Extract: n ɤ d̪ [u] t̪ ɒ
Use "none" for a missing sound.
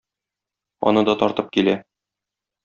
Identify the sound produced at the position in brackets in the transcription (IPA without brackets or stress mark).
ɒ